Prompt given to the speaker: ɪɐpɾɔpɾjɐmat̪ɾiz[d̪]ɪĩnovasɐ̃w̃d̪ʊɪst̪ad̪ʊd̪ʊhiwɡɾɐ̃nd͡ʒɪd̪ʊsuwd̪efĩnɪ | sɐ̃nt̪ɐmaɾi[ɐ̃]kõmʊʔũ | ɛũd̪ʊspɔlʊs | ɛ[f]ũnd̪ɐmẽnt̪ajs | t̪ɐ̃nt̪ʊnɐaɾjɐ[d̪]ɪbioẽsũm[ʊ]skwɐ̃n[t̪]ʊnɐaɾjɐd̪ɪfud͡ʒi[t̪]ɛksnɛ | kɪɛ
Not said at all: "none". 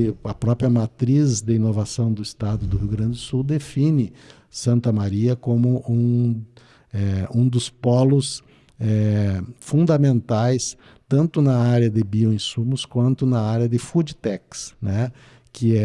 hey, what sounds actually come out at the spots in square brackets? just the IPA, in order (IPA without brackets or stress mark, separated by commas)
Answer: d̪, ɐ, f, d̪, ʊ, t̪, t̪